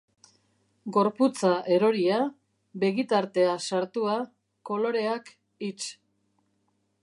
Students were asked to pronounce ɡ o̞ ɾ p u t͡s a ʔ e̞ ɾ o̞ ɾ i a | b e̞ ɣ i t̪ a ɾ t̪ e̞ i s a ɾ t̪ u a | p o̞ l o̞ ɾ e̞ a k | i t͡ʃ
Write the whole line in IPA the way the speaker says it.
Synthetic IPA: ɡ o̞ ɾ p u t͡s a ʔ e̞ ɾ o̞ ɾ i a | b e̞ ɣ i t̪ a ɾ t̪ e̞ a s a ɾ t̪ u a | k o̞ l o̞ ɾ e̞ a k | i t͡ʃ